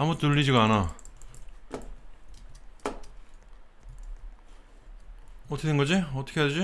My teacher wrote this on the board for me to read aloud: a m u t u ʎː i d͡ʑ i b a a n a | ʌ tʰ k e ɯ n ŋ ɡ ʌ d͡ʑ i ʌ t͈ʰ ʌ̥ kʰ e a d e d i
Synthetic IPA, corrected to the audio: a m u t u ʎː i d͡ʑ i ɡ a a n a | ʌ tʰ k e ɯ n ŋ ɡ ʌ d͡ʑ i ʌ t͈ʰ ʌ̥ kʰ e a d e d͡ʑ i